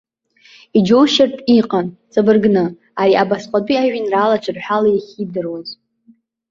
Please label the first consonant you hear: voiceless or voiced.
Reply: voiced